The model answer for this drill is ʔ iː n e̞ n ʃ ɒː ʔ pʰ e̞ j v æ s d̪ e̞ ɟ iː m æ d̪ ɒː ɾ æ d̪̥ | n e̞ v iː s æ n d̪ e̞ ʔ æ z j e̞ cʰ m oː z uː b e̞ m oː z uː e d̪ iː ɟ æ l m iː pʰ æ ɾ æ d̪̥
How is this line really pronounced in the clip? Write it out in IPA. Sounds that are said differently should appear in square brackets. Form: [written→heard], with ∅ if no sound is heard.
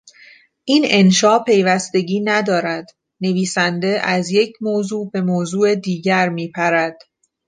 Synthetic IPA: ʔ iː n e̞ n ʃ ɒː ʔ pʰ e̞ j v æ s [d̪→t̪] e̞ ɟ iː [m→n] æ d̪ ɒː ɾ æ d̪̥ | n e̞ v iː s æ n d̪ e̞ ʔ æ z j e̞ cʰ m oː z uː b e̞ m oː z uː e d̪ iː ɟ æ [l→ɾ] m iː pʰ æ ɾ æ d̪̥

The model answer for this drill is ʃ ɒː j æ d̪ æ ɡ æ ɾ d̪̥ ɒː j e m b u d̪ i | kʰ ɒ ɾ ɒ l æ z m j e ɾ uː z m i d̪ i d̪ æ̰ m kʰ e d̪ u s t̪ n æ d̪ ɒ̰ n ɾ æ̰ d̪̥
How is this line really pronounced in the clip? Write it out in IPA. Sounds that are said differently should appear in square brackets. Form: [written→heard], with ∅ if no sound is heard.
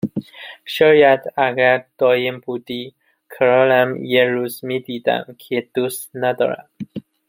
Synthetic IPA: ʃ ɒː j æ d̪ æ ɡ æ ɾ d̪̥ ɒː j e m b u d̪ i | kʰ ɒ ɾ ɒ l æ [z→∅] m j e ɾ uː z m i d̪ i d̪ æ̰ m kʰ e d̪ u s t̪ n æ d̪ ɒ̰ [n→∅] ɾ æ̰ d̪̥

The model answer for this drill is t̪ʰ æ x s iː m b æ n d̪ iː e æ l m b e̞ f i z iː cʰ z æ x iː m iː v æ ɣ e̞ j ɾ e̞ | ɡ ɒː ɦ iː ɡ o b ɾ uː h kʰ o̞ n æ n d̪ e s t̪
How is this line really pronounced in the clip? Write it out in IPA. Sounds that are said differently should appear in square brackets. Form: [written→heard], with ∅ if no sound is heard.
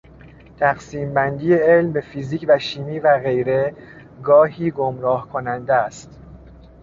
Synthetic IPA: t̪ʰ æ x s iː m b æ n d̪ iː e [æ→e] l m b e̞ f i z iː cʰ [z→v] æ [x→ʃ] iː m iː v æ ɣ e̞ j ɾ e̞ | ɡ ɒː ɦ iː ɡ o [b→m] ɾ [uː→ɒː] h kʰ o̞ n æ n d̪ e s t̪

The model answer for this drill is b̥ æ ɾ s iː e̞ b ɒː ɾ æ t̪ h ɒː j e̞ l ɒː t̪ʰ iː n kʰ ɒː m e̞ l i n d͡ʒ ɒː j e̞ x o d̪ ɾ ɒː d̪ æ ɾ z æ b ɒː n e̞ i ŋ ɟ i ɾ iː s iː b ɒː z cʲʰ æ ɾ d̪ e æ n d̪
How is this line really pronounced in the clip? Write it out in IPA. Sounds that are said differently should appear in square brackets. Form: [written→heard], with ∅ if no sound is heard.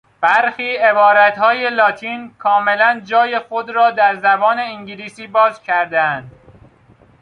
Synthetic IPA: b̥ æ ɾ [s→x] iː e̞ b ɒː ɾ æ t̪ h ɒː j e̞ l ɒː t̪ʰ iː n kʰ ɒː m e̞ l [i→æ] n d͡ʒ ɒː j e̞ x o d̪ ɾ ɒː d̪ æ ɾ z æ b ɒː n e̞ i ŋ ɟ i [ɾ→l] iː s iː b ɒː z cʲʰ æ ɾ d̪ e æ n d̪

